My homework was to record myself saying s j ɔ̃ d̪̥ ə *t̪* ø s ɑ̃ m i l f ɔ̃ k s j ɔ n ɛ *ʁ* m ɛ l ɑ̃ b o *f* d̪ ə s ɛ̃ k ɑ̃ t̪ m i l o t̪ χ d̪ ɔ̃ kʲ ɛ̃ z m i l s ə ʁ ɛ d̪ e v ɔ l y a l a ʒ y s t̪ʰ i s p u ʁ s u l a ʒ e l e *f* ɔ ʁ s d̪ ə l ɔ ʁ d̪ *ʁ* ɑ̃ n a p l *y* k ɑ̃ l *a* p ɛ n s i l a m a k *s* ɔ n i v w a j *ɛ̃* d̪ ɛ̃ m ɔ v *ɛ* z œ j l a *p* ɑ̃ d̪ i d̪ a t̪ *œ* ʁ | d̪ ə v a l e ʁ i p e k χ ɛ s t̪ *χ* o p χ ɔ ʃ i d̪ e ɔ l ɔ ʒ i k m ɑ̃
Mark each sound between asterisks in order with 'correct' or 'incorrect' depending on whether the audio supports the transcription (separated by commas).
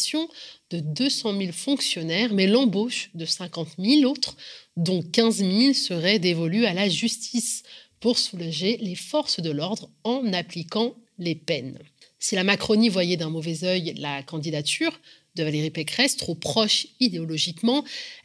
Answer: incorrect, correct, incorrect, correct, correct, incorrect, incorrect, incorrect, incorrect, correct, incorrect, incorrect, correct